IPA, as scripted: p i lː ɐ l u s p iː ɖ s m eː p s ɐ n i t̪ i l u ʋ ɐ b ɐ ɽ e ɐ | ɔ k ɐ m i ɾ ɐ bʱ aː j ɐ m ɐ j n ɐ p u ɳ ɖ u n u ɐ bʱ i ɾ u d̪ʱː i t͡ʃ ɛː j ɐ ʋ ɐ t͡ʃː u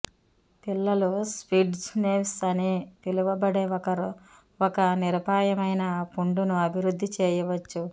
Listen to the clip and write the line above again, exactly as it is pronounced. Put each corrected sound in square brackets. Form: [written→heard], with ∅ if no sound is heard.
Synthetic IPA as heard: p i lː ɐ l u s p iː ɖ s [m→n] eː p s ɐ n i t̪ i l u ʋ ɐ b ɐ ɽ e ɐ | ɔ k ɐ [m→n] i ɾ ɐ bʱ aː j ɐ m ɐ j n ɐ p u ɳ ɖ u n u ɐ bʱ i ɾ u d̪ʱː i t͡ʃ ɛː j ɐ ʋ ɐ t͡ʃː u

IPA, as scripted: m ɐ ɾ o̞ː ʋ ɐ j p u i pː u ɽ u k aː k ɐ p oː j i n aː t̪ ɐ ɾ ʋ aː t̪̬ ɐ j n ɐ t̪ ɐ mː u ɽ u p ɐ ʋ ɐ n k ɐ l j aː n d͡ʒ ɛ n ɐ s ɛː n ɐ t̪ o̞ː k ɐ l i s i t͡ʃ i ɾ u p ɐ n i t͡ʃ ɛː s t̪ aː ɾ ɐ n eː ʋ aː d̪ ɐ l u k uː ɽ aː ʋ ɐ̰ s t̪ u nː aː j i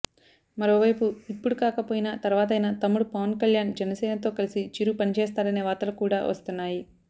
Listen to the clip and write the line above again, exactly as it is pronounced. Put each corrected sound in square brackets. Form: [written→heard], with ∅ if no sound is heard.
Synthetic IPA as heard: m ɐ ɾ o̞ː ʋ ɐ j p u i pː u ɽ u k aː k ɐ p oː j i n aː t̪ ɐ ɾ ʋ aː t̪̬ ɐ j n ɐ t̪ ɐ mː u ɽ u p ɐ ʋ ɐ n k ɐ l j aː n d͡ʒ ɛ n ɐ s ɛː n ɐ t̪ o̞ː k ɐ l i s i t͡ʃ i ɾ u p ɐ n i t͡ʃ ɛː s t̪ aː ɾ ɐ n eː ʋ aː [d̪→t̪] ɐ l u k uː ɽ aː ʋ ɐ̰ s t̪ u nː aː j i

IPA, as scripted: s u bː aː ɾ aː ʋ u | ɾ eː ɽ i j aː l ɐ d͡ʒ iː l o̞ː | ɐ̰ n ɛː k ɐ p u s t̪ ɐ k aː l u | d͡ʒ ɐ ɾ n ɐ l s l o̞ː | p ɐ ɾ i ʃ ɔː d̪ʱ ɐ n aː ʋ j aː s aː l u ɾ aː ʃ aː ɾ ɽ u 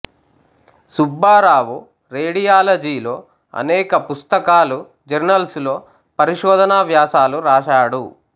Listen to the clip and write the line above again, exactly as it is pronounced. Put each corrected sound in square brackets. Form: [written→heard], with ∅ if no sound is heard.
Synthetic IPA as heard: s u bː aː ɾ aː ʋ u | ɾ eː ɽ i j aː l ɐ d͡ʒ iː l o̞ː | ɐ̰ n ɛː k ɐ p u s t̪ ɐ k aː l u | d͡ʒ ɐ ɾ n ɐ l s l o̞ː | p ɐ ɾ i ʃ ɔː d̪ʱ ɐ n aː ʋ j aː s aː l u ɾ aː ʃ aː [ɾ→∅] ɽ u

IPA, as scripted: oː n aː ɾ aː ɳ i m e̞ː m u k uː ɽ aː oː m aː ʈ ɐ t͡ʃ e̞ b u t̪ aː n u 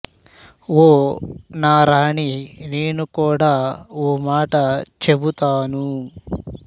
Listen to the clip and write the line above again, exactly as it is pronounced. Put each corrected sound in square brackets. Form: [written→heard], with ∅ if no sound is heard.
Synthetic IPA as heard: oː n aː ɾ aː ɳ i [m→n] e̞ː [m→n] u k uː ɽ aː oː m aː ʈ ɐ t͡ʃ e̞ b u t̪ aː n u

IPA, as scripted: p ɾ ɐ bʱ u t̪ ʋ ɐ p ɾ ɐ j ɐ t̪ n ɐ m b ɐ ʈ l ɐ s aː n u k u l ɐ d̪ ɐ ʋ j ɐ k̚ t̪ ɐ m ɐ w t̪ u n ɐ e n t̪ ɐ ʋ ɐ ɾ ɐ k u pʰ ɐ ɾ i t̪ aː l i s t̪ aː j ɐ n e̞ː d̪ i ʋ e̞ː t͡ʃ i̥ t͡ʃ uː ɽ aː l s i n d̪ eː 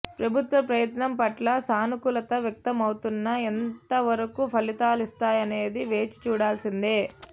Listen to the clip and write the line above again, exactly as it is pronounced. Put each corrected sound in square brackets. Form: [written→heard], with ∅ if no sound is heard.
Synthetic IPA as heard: p ɾ ɐ bʱ u t̪ ʋ ɐ p ɾ ɐ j ɐ t̪ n ɐ m [b→p] ɐ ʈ l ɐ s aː n u k u l ɐ [d̪→t̪] ɐ ʋ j ɐ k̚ t̪ ɐ m ɐ w t̪ u [n→nː] ɐ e n t̪ ɐ ʋ ɐ ɾ ɐ k u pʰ ɐ [ɾ→l] i t̪ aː l i s t̪ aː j ɐ n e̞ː d̪ i ʋ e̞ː t͡ʃ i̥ t͡ʃ uː ɽ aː l s i n d̪ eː

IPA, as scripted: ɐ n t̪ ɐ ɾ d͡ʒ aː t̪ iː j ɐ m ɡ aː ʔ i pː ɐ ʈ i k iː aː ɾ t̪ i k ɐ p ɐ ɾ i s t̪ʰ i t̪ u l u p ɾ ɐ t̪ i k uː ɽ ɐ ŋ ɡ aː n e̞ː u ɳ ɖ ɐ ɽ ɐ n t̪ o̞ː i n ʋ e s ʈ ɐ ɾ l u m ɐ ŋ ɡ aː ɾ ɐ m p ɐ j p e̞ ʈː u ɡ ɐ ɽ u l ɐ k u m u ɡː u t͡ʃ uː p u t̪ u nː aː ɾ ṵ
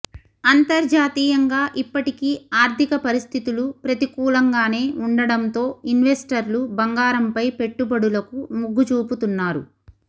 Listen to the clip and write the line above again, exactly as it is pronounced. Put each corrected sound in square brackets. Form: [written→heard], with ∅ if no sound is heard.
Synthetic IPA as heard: ɐ n t̪ ɐ ɾ d͡ʒ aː t̪ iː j ɐ [m→ŋ] ɡ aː ʔ i pː ɐ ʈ i k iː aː ɾ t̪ i k ɐ p ɐ ɾ i s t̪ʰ i t̪ u l u p ɾ ɐ t̪ i k uː [ɽ→l] ɐ ŋ ɡ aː n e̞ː u ɳ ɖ ɐ ɽ ɐ n t̪ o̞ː i n ʋ e s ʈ ɐ ɾ l u [m→b] ɐ ŋ ɡ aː ɾ ɐ m p ɐ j p e̞ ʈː u [ɡ→b] ɐ ɽ u l ɐ k u m u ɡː u t͡ʃ uː p u t̪ u nː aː ɾ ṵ

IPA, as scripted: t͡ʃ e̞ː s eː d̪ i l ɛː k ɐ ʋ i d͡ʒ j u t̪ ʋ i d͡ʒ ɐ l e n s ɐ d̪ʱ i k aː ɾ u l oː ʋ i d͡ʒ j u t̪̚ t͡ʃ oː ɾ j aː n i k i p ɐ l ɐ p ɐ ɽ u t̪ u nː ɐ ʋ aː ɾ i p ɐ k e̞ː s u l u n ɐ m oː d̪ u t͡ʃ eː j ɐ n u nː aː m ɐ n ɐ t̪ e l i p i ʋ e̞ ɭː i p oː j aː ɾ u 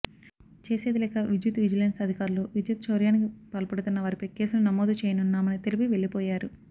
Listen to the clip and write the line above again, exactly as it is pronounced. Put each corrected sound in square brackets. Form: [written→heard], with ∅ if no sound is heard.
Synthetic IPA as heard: t͡ʃ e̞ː s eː d̪ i l ɛː k ɐ ʋ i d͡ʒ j u t̪ ʋ i d͡ʒ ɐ l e n s ɐ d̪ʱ i k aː ɾ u l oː ʋ i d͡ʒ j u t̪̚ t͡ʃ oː ɾ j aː n i k i p ɐ l ɐ p ɐ ɽ u t̪ u nː ɐ ʋ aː ɾ i p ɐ k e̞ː s u l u n ɐ m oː d̪ u t͡ʃ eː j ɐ n u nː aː m ɐ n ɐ t̪ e l i p i ʋ e̞ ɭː i p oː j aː ɾ u

